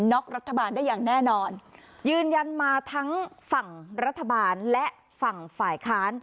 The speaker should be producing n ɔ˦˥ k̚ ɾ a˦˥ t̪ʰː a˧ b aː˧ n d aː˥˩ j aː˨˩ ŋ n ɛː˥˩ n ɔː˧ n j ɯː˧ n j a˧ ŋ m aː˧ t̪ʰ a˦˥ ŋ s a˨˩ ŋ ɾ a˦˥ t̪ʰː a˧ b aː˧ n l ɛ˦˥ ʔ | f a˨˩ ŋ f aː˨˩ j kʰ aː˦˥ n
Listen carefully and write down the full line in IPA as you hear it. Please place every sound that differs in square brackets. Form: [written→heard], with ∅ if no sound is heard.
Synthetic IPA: n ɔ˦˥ k̚ ɾ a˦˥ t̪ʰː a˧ b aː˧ n d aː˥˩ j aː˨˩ ŋ n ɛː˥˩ n ɔː˧ n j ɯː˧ n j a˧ [ŋ→n] m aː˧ t̪ʰ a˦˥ ŋ [s→f] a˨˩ ŋ ɾ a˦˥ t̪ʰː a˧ b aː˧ n l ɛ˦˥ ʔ | f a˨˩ ŋ f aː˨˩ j kʰ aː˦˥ n

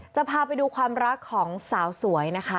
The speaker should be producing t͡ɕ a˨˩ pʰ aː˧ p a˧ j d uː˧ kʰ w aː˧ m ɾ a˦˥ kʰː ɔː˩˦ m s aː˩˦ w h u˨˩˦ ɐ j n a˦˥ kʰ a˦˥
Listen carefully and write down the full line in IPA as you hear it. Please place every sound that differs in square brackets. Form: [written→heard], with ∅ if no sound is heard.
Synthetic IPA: t͡ɕ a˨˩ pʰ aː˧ p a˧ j d uː˧ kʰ w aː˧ m ɾ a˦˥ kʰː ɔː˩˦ [m→ŋ] s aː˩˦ w [h→s] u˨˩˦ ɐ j n a˦˥ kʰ a˦˥

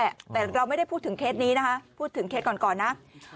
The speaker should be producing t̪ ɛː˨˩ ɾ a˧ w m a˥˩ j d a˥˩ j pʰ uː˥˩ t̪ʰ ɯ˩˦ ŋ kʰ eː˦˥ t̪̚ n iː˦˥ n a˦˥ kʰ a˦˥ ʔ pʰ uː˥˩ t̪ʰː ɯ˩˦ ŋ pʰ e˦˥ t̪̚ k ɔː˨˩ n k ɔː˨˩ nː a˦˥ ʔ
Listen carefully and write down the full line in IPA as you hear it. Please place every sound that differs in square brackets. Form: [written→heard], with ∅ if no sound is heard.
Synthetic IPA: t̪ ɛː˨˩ ɾ a˧ w m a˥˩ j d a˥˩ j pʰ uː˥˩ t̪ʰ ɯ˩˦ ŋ kʰ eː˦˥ t̪̚ n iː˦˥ n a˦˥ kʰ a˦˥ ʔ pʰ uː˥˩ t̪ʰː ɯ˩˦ ŋ [pʰ→kʰ] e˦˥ t̪̚ k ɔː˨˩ n k ɔː˨˩ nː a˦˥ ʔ

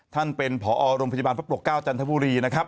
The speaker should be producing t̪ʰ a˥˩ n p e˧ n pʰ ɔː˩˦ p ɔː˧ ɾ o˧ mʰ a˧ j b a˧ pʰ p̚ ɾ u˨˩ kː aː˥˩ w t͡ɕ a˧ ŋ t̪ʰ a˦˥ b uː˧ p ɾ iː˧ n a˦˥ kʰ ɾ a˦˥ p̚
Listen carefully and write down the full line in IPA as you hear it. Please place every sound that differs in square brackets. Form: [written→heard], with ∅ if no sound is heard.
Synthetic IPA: t̪ʰ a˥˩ n p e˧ n pʰ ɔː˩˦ [p→ʔ] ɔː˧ ɾ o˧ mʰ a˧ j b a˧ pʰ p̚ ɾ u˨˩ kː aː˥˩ w t͡ɕ a˧ [ŋ→n] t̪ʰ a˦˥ b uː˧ [p→∅] ɾ iː˧ n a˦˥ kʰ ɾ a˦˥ p̚

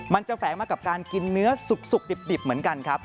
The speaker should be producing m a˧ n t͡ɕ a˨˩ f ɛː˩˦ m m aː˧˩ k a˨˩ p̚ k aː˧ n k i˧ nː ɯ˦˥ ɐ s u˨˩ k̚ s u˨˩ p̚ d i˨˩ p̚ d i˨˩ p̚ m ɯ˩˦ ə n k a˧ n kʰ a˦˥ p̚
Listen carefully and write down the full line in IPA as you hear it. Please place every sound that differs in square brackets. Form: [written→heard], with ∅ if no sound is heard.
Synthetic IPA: m a˧ n t͡ɕ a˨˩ f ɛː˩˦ [m→ŋ] m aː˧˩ k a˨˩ p̚ k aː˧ n k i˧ nː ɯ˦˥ ɐ s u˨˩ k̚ s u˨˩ [p̚→k̚] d i˨˩ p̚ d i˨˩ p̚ m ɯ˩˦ ə n k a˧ n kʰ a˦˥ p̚

